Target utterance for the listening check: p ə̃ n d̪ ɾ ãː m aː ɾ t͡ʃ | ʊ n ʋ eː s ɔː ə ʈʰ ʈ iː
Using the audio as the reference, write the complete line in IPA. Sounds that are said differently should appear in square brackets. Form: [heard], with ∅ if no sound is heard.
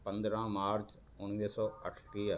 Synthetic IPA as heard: p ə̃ n d̪ ɾ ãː m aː ɾ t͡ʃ | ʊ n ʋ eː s ɔː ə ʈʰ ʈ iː